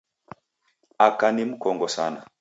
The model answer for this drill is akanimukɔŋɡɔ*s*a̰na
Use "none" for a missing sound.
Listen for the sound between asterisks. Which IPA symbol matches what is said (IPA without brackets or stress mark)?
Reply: s